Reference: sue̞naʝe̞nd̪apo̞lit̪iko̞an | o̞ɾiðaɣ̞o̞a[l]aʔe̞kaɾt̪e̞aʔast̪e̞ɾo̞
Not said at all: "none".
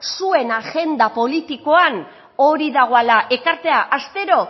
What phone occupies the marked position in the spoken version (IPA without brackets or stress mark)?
l